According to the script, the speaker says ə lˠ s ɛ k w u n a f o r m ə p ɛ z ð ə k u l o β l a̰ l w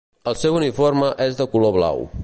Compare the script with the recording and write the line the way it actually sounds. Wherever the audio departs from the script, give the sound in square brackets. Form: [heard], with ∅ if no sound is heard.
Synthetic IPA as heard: ə lˠ s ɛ [∅] w u n [i] f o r m ə [ʔ] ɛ z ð ə k u l o β l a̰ [∅] w